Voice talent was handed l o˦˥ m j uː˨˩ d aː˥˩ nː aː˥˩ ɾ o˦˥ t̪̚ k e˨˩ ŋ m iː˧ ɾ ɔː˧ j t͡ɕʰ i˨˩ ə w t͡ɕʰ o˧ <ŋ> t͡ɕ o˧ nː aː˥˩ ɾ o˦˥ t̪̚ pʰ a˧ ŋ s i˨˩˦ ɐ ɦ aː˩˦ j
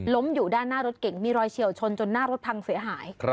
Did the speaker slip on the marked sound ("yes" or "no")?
yes